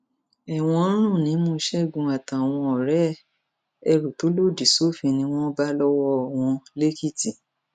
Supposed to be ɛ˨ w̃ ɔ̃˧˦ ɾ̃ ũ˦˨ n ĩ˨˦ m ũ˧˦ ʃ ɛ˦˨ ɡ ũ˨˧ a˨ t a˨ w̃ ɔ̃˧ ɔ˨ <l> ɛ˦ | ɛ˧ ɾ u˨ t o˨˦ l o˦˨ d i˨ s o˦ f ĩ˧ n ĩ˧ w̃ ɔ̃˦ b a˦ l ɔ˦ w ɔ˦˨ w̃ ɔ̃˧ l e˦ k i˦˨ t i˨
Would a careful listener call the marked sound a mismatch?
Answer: yes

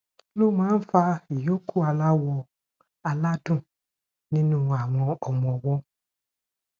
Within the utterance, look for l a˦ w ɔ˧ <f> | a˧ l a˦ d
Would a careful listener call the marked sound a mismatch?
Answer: yes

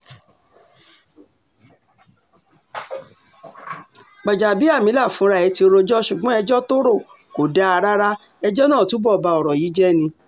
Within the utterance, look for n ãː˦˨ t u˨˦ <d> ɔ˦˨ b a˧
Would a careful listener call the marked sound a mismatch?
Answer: yes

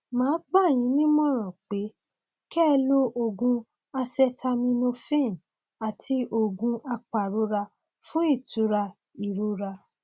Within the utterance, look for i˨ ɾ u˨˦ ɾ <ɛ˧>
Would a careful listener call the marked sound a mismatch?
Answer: yes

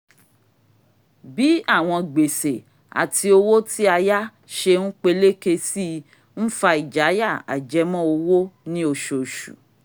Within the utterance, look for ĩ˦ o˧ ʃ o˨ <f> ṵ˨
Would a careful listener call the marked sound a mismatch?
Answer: yes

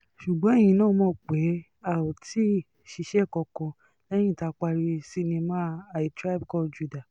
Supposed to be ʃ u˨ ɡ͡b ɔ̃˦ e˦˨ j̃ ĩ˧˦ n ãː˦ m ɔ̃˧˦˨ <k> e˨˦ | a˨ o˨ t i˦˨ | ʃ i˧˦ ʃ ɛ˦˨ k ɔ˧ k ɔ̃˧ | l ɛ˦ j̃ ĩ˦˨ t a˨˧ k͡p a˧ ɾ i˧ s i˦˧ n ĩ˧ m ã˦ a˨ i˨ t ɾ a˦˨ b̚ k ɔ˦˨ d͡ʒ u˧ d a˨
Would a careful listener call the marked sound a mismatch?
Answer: yes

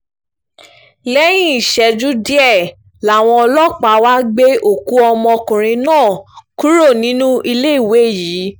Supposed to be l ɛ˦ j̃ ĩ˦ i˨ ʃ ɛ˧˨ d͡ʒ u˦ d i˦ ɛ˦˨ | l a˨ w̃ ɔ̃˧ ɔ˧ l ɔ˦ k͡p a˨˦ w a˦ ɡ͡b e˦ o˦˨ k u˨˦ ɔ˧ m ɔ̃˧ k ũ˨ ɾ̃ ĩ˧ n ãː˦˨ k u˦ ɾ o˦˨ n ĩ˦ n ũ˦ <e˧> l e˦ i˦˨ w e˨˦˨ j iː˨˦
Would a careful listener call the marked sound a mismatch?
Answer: yes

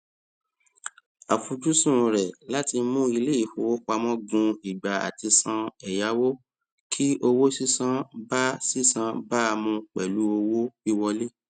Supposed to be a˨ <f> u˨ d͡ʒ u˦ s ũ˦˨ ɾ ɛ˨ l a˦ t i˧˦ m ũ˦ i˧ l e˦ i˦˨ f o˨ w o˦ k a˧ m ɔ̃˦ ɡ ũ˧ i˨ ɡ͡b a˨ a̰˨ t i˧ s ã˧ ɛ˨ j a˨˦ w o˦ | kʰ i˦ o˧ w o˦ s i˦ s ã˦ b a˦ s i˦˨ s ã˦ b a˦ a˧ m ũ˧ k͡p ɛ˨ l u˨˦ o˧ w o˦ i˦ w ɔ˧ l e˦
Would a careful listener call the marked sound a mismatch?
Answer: no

